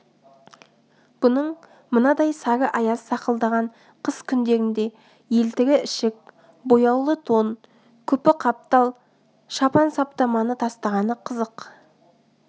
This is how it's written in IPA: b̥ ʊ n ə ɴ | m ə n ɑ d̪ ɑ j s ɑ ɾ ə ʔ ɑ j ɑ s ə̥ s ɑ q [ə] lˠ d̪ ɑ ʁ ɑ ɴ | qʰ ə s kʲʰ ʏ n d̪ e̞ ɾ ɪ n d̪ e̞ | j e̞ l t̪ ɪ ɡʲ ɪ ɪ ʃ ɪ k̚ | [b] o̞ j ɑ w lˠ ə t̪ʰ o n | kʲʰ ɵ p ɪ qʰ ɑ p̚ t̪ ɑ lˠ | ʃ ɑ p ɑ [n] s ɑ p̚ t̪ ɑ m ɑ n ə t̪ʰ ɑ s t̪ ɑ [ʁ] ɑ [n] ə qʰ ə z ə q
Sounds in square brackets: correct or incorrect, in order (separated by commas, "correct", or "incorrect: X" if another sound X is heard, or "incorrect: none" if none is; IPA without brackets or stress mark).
correct, correct, correct, correct, correct